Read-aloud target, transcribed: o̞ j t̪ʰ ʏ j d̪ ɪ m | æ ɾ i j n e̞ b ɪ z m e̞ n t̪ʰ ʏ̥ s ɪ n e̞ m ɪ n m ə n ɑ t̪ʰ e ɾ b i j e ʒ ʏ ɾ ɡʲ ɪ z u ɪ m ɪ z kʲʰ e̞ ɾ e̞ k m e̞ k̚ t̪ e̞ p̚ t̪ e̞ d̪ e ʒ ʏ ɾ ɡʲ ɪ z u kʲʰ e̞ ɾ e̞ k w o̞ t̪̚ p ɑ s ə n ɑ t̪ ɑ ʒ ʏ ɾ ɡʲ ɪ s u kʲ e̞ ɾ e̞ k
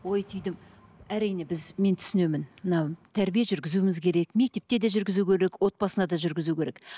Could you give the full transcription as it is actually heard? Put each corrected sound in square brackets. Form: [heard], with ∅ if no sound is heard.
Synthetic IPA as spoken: o̞ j t̪ʰ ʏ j d̪ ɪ m | æ ɾ i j n e̞ b ɪ z m e̞ n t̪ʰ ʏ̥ s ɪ n e̞ m ɪ n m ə n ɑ t̪ʰ [æ] ɾ b i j e ʒ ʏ ɾ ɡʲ ɪ z u ɪ m ɪ z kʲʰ e̞ ɾ e̞ k m e̞ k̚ t̪ e̞ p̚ t̪ e̞ d̪ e ʒ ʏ ɾ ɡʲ ɪ z u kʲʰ e̞ ɾ e̞ k w o̞ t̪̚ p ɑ s ə n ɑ [d̪] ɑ ʒ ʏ ɾ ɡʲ ɪ [z] u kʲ e̞ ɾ e̞ k